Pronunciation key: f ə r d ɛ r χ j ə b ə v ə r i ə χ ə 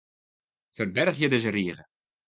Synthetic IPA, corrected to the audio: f ə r b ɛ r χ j ə d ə z ə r i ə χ ə